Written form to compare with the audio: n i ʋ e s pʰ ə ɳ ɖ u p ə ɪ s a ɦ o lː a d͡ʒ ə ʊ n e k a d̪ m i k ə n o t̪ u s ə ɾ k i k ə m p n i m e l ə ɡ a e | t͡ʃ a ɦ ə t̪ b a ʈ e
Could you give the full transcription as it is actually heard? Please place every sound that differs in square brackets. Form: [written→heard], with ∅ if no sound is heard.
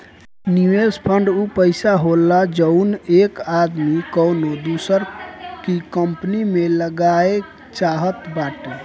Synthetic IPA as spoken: n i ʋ e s pʰ ə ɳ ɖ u p ə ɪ s a ɦ o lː a d͡ʒ ə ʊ n e k a d̪ m i k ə n o [t̪→d̪] u s ə ɾ k i k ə m p n i m e l ə ɡ a e | t͡ʃ a ɦ ə t̪ b a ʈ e